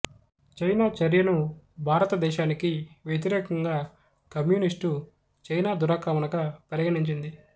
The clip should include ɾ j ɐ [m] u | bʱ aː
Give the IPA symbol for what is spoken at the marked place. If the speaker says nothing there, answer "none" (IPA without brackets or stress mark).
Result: n